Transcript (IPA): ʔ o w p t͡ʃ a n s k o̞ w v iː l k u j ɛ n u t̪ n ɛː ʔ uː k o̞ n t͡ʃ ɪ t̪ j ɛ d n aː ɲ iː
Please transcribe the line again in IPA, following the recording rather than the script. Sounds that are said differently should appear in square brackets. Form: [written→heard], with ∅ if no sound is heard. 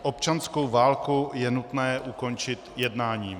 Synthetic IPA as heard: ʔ o [w→∅] p t͡ʃ a n s k o̞ w v [iː→aː] l k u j ɛ n u t̪ n ɛː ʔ [uː→u] k o̞ n t͡ʃ ɪ t̪ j ɛ d n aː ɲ iː